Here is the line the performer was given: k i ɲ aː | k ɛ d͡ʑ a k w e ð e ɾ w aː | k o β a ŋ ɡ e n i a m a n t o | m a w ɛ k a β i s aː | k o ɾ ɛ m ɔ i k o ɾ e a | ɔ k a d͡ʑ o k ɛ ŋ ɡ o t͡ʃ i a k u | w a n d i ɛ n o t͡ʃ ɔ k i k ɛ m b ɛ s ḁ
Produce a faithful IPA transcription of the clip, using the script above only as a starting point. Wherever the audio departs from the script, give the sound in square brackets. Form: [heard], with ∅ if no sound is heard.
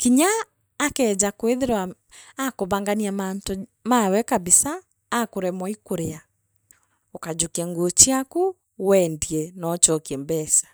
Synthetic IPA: k i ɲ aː | k ɛ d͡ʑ a k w e ð e ɾ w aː | k o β a ŋ ɡ [a] n i a m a n t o | m a w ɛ k a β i s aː | k o ɾ ɛ m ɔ i k o ɾ e a | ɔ k a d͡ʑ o k ɛ ŋ ɡ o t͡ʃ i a k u | w [ɛ] n d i ɛ n [ɔ] t͡ʃ ɔ k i [∅] ɛ m b ɛ s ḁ

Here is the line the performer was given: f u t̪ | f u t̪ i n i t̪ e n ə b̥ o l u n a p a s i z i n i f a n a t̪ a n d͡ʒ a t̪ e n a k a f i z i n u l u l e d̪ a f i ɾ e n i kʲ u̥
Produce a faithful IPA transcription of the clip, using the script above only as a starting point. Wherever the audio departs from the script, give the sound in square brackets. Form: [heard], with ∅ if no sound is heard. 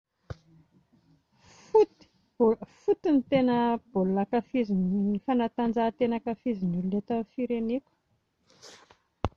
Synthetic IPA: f u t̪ | f u t̪ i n i t̪ e n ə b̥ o l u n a [k] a [f] i z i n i f a n a t̪ a n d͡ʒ a t̪ e n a k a f i z i n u l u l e [t̪] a f i ɾ e n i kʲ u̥

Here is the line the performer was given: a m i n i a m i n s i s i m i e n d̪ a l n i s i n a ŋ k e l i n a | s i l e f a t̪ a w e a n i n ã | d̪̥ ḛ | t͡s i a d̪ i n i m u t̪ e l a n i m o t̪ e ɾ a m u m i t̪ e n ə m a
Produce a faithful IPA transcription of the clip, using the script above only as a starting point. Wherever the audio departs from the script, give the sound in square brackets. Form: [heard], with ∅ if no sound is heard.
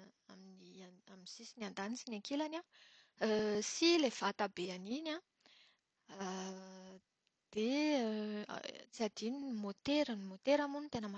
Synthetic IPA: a m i n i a m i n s i s i [n] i [a] n d̪ a [∅] n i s i n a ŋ k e l [a] n a | s i l e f a t̪ a [b] e a n i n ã | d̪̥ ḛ | t͡s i a d̪ i n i m [o] t̪ e [ɾ] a n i m o t̪ e ɾ a m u [n] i t̪ e n ə m a

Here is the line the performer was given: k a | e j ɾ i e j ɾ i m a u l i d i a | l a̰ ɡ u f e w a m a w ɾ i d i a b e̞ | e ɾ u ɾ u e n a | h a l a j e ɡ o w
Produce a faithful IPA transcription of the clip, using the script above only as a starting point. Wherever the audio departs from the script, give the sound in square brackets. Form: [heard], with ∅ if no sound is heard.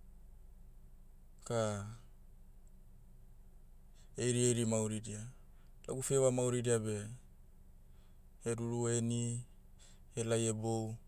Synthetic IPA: k a | e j ɾ i e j ɾ i m a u [ɾ] i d i a | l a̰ ɡ u f e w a m a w ɾ i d i a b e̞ | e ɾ u ɾ u e n [i] | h [e] l a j e [b] o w

